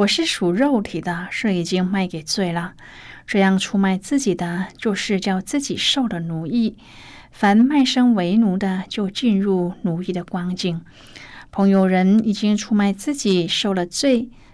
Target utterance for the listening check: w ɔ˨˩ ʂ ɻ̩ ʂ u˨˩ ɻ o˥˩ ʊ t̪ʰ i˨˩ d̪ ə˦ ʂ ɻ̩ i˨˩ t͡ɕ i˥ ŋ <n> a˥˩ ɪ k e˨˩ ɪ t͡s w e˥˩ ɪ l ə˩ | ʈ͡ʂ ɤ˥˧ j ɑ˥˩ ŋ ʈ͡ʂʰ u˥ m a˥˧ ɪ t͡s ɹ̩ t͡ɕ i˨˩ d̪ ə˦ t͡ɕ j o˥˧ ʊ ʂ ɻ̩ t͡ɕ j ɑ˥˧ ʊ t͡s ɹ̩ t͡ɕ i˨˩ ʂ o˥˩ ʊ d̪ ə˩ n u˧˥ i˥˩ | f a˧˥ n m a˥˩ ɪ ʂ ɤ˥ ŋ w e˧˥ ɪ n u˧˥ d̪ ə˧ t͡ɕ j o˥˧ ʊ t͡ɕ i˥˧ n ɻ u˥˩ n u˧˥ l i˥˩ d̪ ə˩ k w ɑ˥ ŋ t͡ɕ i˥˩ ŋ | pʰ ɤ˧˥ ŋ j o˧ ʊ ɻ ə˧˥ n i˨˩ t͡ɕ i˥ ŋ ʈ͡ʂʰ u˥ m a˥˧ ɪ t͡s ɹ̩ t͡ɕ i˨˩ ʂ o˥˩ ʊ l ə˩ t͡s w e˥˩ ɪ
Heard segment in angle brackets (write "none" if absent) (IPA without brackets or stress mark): m